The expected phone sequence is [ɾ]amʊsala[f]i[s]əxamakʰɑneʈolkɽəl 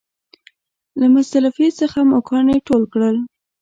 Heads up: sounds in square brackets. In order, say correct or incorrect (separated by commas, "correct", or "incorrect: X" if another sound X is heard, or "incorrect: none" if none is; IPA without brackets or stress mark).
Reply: incorrect: l, correct, correct